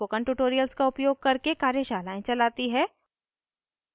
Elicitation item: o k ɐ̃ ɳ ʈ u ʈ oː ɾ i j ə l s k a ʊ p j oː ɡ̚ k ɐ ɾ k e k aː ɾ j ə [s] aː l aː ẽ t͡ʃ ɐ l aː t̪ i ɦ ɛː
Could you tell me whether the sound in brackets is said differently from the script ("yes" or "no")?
yes